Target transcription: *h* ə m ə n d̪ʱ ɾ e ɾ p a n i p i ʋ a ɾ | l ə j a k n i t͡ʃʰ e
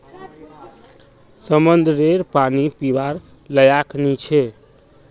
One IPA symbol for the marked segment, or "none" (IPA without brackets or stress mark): s